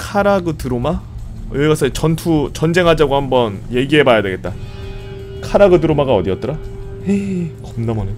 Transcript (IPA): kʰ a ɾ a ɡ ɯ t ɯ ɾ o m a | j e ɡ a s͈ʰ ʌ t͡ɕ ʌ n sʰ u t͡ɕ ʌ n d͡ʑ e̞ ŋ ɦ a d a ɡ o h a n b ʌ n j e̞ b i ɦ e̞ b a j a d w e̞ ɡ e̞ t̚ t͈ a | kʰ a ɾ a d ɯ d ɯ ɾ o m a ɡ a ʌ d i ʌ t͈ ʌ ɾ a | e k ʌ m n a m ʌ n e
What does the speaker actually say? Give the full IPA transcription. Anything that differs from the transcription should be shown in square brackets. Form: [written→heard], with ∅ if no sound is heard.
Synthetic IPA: kʰ a ɾ a ɡ ɯ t ɯ ɾ o m a | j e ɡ a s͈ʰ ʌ t͡ɕ ʌ n [sʰ→tʰ] u t͡ɕ ʌ n d͡ʑ e̞ ŋ ɦ a [d→d͡ʑ] a ɡ o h a [n→m] b ʌ n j e̞ [b→ɡ] i ɦ e̞ b a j a d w e̞ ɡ e̞ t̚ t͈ a | kʰ a ɾ a [d→ɡ] ɯ d ɯ ɾ o m a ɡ a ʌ d i ʌ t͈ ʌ ɾ a | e k ʌ m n a m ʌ n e